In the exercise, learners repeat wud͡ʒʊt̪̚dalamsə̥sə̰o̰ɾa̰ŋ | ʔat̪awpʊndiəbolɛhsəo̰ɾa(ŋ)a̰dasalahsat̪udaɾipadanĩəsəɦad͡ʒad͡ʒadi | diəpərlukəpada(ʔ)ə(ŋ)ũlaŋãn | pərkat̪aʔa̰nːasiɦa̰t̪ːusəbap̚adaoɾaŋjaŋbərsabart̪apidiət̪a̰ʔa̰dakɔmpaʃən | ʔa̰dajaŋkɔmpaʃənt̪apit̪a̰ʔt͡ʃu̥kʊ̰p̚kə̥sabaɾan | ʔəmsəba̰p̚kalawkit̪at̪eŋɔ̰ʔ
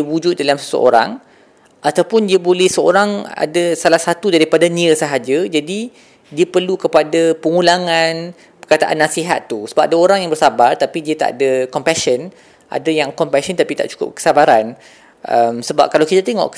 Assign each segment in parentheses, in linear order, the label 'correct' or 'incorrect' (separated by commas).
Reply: correct, incorrect, correct